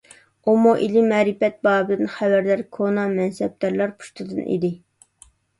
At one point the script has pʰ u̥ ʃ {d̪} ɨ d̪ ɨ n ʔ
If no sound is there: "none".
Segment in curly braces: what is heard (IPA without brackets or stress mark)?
t̪